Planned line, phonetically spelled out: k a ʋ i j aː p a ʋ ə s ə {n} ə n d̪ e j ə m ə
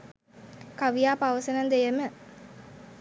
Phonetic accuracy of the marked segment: correct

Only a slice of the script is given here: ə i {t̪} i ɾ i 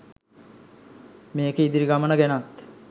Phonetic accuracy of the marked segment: incorrect: d̪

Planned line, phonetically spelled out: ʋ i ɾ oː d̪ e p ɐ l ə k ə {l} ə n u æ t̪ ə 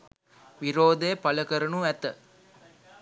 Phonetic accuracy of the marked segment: incorrect: ɾ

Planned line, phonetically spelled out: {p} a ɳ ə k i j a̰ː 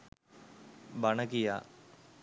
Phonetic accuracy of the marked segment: incorrect: b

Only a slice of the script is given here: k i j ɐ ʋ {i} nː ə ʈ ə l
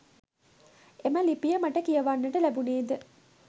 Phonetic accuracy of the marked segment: incorrect: a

